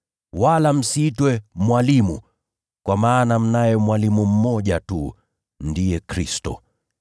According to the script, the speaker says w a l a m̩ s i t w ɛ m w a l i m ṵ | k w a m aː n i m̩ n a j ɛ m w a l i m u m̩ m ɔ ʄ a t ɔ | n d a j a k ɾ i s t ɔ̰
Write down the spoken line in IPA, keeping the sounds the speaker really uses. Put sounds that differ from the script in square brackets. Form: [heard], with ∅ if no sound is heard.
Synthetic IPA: w a l a m̩ s i t w ɛ m w a l i m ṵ | k w a m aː n [a] m̩ n a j ɛ m w a l i m u m̩ m ɔ ʄ a t [u] | n d [i] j [ɛ] k ɾ i s t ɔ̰